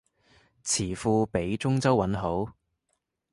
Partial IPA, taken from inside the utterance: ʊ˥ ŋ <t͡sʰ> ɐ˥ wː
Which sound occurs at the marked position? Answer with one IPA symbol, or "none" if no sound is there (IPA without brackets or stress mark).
t͡s